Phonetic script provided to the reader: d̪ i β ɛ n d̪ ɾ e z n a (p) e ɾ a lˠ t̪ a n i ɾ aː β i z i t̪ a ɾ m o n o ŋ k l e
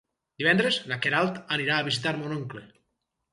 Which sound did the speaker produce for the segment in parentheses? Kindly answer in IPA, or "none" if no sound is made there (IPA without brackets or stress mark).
k